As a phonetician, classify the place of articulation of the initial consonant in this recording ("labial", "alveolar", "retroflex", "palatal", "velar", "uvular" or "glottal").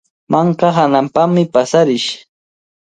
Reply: labial